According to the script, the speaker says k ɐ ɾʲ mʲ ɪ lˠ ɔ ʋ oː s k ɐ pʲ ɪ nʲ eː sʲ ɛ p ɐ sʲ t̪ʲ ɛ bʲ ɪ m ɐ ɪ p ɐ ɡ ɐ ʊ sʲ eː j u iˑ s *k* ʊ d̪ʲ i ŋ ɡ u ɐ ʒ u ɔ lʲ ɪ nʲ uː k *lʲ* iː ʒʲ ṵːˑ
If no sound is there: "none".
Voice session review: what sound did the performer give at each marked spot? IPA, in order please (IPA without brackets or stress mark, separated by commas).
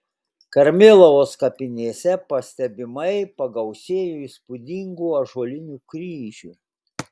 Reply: p, ɾʲ